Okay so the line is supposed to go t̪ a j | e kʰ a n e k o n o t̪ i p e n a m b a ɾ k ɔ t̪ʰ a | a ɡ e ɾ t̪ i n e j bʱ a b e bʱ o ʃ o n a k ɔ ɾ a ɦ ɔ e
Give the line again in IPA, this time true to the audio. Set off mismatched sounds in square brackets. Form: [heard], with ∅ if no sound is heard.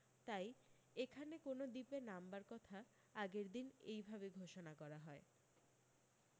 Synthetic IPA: t̪ a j | e kʰ a n e k o n o [d̪] i p e n a m b a ɾ k ɔ t̪ʰ a | a ɡ e ɾ [d̪] i n e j bʱ a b e [ɡʱ] o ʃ o n a k ɔ ɾ a ɦ ɔ e